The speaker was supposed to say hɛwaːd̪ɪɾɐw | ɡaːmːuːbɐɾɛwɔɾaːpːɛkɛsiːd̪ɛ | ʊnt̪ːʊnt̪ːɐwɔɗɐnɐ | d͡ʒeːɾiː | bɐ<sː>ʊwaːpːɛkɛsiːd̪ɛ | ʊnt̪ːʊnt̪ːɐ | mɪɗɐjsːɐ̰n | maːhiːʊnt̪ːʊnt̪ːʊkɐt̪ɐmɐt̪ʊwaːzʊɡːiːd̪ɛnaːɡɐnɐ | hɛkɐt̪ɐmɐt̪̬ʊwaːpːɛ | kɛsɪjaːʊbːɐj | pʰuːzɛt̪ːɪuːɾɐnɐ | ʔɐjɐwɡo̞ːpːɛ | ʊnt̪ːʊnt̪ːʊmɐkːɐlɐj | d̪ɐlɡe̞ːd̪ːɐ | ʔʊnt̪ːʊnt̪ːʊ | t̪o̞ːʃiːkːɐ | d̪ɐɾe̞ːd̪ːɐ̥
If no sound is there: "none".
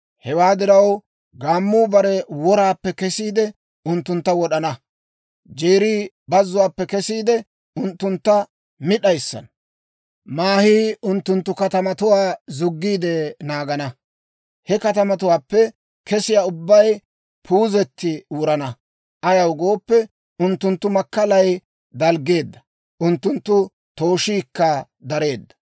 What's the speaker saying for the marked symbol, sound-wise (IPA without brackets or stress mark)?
zː